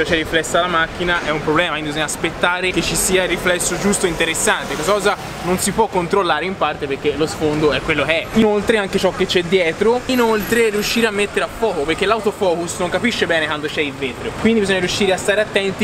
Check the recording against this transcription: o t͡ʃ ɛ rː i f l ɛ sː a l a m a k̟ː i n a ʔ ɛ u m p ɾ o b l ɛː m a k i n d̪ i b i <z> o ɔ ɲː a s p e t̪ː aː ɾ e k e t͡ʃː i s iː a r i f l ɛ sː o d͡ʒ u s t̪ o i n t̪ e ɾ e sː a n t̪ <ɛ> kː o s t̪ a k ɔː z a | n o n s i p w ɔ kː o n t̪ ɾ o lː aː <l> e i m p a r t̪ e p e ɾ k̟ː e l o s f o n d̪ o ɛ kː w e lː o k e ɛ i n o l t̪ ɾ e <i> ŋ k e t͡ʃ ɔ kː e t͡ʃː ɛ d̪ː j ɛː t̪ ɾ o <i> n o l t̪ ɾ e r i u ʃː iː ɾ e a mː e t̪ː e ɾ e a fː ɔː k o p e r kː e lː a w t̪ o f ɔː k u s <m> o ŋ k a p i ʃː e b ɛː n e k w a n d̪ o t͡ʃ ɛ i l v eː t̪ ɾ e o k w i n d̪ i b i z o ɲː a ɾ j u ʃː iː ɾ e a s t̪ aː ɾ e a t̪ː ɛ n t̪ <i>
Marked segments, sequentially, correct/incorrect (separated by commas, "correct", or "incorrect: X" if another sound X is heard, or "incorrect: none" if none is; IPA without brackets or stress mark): correct, incorrect: e, incorrect: ɾ, incorrect: a, correct, incorrect: n, correct